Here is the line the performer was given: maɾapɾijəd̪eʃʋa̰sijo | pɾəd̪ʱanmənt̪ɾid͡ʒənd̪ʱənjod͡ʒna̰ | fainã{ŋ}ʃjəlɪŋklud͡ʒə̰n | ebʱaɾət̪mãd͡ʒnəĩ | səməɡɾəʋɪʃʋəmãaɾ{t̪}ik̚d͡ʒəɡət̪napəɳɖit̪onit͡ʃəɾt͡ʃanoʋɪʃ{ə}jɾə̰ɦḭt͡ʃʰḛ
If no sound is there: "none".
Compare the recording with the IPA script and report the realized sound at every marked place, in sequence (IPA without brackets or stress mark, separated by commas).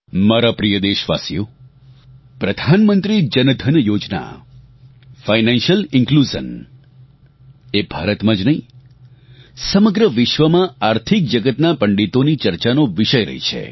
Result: n, t̪ʰ, ə